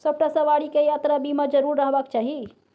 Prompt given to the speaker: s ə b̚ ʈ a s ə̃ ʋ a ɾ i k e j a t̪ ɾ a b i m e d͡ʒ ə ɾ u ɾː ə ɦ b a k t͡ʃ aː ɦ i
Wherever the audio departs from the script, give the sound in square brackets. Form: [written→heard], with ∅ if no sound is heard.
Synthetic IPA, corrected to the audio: s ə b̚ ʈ a s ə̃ ʋ a [ɾ→ɽ] i k e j a t̪ ɾ a b i m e d͡ʒ ə ɾ u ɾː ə ɦ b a k t͡ʃ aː ɦ i